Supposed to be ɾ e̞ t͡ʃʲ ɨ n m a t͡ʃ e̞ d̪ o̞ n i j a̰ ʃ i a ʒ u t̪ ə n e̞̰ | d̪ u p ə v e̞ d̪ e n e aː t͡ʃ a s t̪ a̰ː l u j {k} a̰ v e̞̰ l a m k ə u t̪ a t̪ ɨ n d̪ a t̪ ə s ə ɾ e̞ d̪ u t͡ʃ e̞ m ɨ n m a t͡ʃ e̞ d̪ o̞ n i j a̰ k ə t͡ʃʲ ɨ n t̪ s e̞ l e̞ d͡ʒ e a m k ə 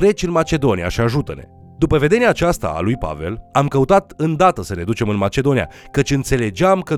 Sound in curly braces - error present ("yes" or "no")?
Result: yes